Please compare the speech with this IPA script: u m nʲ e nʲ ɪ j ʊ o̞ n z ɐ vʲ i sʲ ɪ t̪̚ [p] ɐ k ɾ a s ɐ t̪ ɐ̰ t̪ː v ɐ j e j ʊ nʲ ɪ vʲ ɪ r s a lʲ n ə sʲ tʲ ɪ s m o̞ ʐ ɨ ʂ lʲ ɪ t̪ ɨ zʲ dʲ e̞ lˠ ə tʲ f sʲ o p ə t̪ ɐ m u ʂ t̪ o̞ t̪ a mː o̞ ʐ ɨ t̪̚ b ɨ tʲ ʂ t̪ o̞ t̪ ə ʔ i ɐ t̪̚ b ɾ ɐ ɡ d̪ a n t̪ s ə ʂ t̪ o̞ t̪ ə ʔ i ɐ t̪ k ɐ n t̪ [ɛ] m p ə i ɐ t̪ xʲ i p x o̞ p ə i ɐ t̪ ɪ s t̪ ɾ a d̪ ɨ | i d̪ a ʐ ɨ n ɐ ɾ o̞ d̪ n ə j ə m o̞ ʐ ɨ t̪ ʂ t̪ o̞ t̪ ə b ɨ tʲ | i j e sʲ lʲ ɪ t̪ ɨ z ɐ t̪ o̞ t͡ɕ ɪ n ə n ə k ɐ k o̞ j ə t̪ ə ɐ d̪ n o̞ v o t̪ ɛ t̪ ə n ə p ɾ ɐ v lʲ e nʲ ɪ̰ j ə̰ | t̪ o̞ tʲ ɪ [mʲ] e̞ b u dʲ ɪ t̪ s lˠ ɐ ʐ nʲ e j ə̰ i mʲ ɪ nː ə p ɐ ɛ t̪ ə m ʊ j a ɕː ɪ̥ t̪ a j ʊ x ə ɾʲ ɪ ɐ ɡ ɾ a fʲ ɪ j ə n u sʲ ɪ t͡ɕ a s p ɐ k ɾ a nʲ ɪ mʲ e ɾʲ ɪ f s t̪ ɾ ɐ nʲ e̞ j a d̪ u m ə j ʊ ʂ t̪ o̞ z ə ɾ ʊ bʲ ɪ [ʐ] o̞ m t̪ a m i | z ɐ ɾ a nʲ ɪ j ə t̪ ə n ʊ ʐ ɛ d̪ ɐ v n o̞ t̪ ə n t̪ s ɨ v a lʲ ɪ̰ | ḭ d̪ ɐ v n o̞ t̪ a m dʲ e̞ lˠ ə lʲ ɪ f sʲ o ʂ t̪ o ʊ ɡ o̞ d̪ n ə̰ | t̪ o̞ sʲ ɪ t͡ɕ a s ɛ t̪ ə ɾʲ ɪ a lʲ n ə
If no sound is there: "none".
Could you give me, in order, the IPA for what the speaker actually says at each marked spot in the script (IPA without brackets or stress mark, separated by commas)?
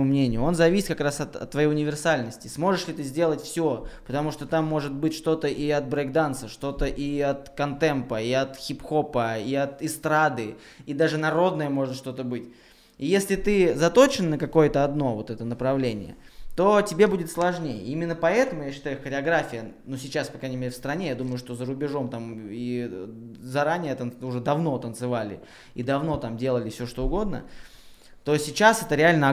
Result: k, ɛ, bʲ, ʐ